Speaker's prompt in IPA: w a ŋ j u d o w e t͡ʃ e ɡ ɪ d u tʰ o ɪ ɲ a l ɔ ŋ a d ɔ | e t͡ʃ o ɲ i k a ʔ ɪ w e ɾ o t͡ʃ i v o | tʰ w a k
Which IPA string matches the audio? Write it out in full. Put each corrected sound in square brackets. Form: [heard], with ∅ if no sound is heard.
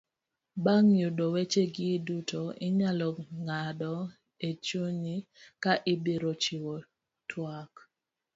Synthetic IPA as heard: [b] a ŋ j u d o w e t͡ʃ e ɡ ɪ d u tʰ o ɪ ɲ a l ɔ ŋ a d ɔ | e t͡ʃ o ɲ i k a ʔ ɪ [b] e ɾ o t͡ʃ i [w] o | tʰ w a k